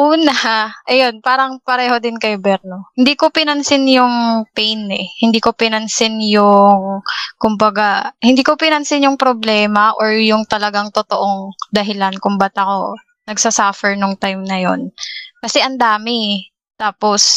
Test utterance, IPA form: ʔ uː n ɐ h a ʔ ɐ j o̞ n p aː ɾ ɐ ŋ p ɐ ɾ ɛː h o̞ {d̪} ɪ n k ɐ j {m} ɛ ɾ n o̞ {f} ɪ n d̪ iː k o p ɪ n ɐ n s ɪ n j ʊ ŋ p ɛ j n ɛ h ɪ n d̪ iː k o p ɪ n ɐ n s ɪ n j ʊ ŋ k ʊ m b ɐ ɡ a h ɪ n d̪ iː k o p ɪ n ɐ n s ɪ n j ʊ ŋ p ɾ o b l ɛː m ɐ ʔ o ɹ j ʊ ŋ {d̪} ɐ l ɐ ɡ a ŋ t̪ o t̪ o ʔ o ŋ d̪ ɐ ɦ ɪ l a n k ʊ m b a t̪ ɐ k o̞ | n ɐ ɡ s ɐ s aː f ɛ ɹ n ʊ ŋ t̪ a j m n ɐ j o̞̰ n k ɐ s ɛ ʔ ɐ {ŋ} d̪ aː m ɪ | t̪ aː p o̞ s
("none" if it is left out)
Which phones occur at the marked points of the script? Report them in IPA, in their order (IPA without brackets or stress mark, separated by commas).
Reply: d̪, b, h, t̪, n